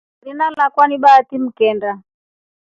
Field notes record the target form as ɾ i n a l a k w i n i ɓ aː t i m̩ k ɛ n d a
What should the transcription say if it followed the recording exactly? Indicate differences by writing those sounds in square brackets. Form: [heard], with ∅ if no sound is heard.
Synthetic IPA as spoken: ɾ i n a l a k w [a] n i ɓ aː t i m̩ k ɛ n d a